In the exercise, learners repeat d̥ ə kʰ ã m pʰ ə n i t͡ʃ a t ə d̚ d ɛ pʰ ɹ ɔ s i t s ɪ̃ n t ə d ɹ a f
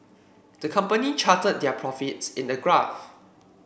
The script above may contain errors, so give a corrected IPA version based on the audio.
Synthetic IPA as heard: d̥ ə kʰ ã m p ə n i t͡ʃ a t ə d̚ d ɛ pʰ ɹ ɔ f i t s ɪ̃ n d ə ɡ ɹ a f